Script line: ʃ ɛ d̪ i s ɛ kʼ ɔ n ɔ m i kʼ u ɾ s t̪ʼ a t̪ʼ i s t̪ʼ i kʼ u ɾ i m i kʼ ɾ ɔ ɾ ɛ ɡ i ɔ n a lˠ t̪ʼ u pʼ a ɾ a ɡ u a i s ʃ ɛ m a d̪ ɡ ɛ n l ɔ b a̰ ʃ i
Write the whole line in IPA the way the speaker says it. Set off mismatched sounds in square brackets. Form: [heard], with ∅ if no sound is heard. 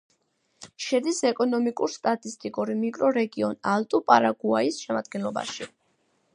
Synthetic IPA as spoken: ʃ ɛ d̪ i s ɛ kʼ ɔ n ɔ m i kʼ u ɾ s t̪ʼ a t̪ʼ i s t̪ʼ i kʼ u ɾ i m i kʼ ɾ ɔ ɾ ɛ ɡ i ɔ n a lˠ t̪ʼ u pʼ a ɾ a ɡ u a i s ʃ ɛ m a d̪ ɡ ɛ n l ɔ b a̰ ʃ i